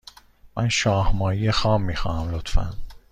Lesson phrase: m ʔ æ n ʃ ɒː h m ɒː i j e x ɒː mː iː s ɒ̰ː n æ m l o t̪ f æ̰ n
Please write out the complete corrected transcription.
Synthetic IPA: m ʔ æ n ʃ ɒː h m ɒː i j e x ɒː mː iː x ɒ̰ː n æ m l o t̪ f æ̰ n